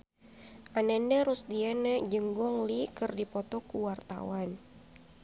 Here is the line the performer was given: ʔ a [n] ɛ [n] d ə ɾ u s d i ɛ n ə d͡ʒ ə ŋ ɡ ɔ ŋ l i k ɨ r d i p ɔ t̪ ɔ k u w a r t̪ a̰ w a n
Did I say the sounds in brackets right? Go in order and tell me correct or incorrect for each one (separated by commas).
correct, correct